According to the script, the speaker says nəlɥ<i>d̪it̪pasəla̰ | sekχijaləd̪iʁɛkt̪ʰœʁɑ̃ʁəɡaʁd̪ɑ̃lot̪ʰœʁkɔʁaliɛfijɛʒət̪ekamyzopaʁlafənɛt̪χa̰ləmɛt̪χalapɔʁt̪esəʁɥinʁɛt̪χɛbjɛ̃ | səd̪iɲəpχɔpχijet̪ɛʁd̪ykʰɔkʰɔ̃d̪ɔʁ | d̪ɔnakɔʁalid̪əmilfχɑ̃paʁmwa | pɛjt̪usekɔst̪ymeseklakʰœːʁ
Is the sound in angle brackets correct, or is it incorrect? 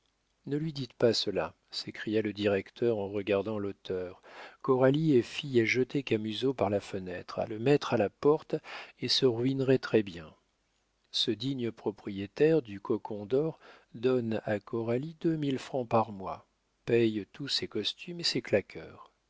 correct